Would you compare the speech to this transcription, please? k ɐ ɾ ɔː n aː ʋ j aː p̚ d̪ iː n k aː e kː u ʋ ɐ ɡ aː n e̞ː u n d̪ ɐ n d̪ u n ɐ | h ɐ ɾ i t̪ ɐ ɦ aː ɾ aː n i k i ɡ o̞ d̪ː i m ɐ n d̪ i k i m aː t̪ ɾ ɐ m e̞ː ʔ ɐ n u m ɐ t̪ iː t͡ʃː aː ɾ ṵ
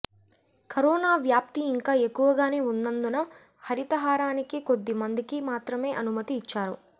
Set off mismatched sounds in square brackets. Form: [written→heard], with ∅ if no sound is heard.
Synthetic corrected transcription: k ɐ ɾ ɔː n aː ʋ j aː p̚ [d̪→t̪] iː [n→ŋ] k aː e kː u ʋ ɐ ɡ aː n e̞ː u n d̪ ɐ n d̪ u n ɐ | h ɐ ɾ i t̪ ɐ ɦ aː ɾ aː n i k i [ɡ→k] o̞ d̪ː i m ɐ n d̪ i k i m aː t̪ ɾ ɐ m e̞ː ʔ ɐ n u m ɐ t̪ iː t͡ʃː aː ɾ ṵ